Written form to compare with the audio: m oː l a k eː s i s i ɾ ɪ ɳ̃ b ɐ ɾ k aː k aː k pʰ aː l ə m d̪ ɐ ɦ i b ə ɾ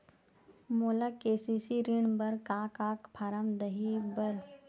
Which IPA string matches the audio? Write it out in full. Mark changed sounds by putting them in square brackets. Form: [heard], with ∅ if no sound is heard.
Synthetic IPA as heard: m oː l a k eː s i s i ɾ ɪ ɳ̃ b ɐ ɾ k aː k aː k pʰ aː [ɾ] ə m d̪ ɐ ɦ i b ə ɾ